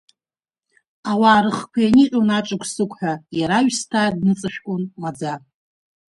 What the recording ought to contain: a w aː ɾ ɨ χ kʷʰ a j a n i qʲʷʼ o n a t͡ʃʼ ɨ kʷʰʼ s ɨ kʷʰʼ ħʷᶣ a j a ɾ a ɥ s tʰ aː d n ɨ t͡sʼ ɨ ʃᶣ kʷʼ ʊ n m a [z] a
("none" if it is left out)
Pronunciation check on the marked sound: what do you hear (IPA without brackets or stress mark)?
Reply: d͡z